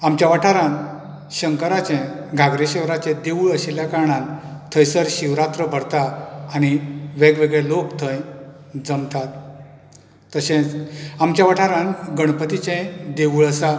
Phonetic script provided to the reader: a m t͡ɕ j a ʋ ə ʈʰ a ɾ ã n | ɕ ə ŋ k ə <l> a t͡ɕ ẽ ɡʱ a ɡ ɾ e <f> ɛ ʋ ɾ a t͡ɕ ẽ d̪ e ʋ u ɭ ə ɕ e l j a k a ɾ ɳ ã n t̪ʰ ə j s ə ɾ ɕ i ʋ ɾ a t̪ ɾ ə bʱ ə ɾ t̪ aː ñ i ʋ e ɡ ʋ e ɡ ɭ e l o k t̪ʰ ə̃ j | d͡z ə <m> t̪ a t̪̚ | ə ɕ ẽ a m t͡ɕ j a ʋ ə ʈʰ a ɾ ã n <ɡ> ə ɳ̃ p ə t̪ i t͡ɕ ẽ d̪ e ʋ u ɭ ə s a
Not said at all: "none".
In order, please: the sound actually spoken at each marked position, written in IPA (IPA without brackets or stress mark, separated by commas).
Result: ɾ, ɕ, m, ɡ